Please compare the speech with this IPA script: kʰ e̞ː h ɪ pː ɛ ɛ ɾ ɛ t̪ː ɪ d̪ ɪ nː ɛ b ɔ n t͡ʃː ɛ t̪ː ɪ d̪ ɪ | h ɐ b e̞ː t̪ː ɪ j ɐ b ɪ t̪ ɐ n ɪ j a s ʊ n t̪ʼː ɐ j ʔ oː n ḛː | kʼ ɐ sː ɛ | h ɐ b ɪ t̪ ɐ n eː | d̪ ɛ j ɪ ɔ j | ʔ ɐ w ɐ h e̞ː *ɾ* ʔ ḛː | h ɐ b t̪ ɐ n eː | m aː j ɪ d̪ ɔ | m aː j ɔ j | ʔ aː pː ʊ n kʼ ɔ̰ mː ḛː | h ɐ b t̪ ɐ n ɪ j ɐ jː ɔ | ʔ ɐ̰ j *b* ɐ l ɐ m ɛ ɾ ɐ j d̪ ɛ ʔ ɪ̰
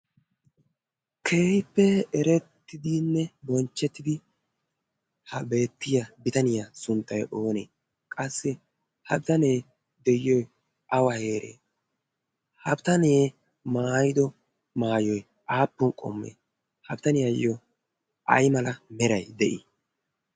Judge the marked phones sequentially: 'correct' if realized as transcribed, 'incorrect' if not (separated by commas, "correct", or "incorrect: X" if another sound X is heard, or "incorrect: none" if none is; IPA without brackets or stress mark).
correct, incorrect: m